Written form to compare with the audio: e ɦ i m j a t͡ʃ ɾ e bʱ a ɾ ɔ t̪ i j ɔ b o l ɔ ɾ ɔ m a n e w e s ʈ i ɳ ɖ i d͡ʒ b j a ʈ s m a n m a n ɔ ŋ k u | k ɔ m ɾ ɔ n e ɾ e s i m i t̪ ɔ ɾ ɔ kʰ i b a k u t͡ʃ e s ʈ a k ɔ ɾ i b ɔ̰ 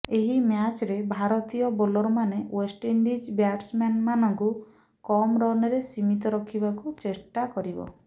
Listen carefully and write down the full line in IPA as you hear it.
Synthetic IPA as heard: e ɦ i m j a t͡ʃ ɾ e bʱ a ɾ ɔ t̪ i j ɔ b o l ɔ ɾ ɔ m a n e w e s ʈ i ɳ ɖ i d͡ʒ b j a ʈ s m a n m a n ɔ ŋ k u | k ɔ m ɾ ɔ n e ɾ e s i m i t̪ ɔ ɾ ɔ kʰ i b a k u t͡ʃ e s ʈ a k ɔ ɾ i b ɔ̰

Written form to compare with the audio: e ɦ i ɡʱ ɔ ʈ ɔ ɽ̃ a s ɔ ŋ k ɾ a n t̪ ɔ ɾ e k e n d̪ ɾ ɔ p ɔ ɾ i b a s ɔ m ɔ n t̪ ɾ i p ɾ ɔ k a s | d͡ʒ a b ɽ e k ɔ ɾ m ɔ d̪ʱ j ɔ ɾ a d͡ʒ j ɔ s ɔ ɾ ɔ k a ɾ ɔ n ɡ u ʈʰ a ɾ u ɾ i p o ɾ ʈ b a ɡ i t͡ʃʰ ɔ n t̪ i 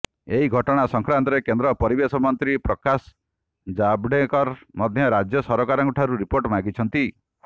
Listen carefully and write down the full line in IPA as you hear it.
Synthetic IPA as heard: e ɦ i ɡʱ ɔ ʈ ɔ ɽ̃ a s ɔ ŋ k ɾ a n t̪ ɔ ɾ e k e n d̪ ɾ ɔ p ɔ ɾ i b e s ɔ m ɔ n t̪ ɾ i p ɾ ɔ k a s | d͡ʒ a b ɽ e k ɔ ɾ m ɔ d̪ʱ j ɔ ɾ a d͡ʒ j ɔ s ɔ ɾ ɔ k a ɾ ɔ ŋ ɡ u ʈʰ a ɾ u ɾ i p o ɾ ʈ m a ɡ i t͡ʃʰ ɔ n t̪ i

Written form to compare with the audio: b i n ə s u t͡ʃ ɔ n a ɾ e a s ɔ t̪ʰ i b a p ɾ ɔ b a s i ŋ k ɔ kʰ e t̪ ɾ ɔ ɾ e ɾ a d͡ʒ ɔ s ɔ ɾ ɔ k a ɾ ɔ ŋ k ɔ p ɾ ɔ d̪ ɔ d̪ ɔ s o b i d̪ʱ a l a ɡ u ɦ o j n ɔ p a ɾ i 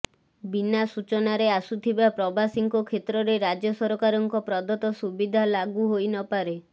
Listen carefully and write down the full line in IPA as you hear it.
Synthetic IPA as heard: b i n a s u t͡ʃ ɔ n a ɾ e a s u t̪ʰ i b a p ɾ ɔ b a s i ŋ k ɔ kʰ e t̪ ɾ ɔ ɾ e ɾ a d͡ʒ ɔ s ɔ ɾ ɔ k a ɾ ɔ ŋ k ɔ p ɾ ɔ d̪ ɔ t̪ ɔ s u b i d̪ʱ a l a ɡ u ɦ o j n ɔ p a ɾ e

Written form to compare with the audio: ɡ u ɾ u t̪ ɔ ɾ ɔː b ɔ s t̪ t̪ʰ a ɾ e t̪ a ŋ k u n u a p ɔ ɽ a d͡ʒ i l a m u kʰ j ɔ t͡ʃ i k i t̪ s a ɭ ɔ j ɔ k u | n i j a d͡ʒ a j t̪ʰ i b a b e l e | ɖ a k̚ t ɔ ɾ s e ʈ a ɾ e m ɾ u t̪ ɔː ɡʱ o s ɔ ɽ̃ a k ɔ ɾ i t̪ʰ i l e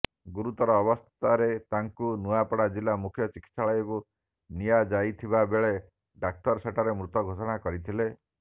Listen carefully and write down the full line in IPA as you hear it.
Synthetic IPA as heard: ɡ u ɾ u t̪ ɔ ɾ ɔː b ɔ s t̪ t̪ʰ a ɾ e t̪ a ŋ k u n u a p ɔ ɽ a d͡ʒ i l a m u kʰ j ɔ t͡ʃ i k i t̪ s a ɭ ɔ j ɔ k u | n i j a d͡ʒ a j t̪ʰ i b a b e ɭ e | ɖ a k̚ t ɔ ɾ s e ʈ a ɾ e m ɾ u t̪ ɔ ɡʱ o s ɔ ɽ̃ a k ɔ ɾ i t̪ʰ i l e

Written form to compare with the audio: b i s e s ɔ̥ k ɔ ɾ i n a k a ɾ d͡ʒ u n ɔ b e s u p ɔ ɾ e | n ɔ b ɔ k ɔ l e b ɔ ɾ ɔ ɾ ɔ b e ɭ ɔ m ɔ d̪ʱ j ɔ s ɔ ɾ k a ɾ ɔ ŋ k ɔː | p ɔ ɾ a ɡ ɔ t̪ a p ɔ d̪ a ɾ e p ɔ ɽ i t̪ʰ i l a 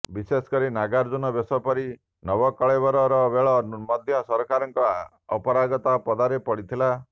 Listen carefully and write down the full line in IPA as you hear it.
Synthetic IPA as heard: b i s e s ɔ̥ k ɔ ɾ i n a ɡ a ɾ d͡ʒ u n ɔ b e s ɔ p ɔ ɾ i | n ɔ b ɔ k ɔ ɭ e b ɔ ɾ ɔ ɾ ɔ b e ɭ ɔ m ɔ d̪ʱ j ɔ s ɔ ɾ k a ɾ ɔ ŋ k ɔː | p ɔ ɾ a ɡ ɔ t̪ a p ɔ d̪ a ɾ e p ɔ ɽ i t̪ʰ i l a

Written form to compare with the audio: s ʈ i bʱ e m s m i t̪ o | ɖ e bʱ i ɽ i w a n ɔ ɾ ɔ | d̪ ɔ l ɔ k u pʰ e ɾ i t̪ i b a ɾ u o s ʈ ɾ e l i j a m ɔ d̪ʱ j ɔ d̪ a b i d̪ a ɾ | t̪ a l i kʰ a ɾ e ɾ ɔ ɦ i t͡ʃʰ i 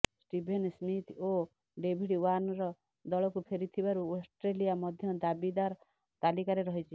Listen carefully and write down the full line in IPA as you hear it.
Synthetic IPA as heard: s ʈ i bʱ e n s m i t̪ o | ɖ e bʱ i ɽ i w a n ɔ ɾ ɔ | d̪ ɔ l ɔ k u pʰ e ɾ i t̪ʰ i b a ɾ u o s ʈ ɾ e l i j a m ɔ d̪ʱ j ɔ d̪ a b i d̪ a ɾ | t̪ a l i k a ɾ e ɾ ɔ ɦ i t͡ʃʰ i

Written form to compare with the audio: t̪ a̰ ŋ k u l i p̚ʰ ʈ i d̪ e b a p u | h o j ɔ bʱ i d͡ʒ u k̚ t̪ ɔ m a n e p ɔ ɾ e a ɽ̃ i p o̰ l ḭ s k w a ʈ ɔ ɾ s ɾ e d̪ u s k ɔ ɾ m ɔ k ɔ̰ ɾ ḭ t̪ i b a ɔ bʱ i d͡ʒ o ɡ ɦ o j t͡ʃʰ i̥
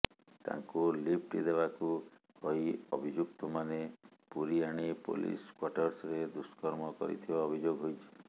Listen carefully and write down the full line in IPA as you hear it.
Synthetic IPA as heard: t̪ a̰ ŋ k u l i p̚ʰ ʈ i d̪ e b a k u | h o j ɔ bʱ i d͡ʒ u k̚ t̪ ɔ m a n e p u ɾ i a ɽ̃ i p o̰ l ḭ s k w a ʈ ɔ ɾ s ɾ e d̪ u s k ɔ ɾ m ɔ k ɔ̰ ɾ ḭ t̪ʰ i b a ɔ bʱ i d͡ʒ o ɡ ɦ o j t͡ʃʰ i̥

